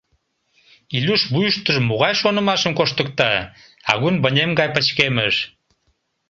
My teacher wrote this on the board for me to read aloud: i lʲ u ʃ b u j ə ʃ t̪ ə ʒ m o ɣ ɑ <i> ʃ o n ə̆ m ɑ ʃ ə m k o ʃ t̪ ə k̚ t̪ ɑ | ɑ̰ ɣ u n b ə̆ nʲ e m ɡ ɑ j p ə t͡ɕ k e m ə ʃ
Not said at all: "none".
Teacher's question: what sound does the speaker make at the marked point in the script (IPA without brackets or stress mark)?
j